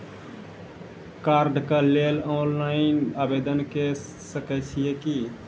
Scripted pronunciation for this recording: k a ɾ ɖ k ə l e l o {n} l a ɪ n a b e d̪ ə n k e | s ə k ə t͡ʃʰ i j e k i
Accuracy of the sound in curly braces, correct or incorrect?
correct